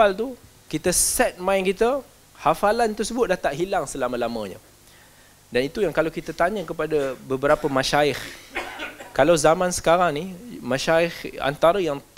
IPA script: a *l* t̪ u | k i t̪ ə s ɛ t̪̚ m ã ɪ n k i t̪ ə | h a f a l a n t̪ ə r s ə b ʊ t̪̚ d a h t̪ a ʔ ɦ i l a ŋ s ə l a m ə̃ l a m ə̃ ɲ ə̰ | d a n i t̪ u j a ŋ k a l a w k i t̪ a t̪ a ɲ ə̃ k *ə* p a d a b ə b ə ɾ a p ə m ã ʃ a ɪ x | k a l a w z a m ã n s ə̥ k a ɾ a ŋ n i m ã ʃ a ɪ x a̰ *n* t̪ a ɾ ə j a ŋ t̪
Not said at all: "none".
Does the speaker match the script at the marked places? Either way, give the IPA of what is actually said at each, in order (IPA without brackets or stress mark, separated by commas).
l, ə, n